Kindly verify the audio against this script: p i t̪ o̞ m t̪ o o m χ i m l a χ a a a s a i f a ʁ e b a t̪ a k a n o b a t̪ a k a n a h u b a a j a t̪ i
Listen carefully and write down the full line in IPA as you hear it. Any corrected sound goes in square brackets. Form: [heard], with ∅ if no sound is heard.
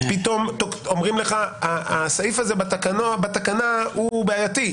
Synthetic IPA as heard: p i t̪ o̞ m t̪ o o m [ʁ] i m l [e] χ a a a s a i f a [z] e b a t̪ a k a n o b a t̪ a k a n a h u b [e] a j a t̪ i